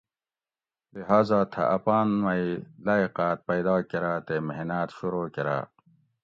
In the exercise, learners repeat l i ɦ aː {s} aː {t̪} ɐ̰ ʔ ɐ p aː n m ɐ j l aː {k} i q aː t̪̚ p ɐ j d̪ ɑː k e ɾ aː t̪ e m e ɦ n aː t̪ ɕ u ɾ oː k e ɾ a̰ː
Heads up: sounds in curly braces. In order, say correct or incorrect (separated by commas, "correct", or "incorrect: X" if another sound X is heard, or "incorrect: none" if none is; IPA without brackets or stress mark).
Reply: incorrect: z, incorrect: t̪ʰ, incorrect: none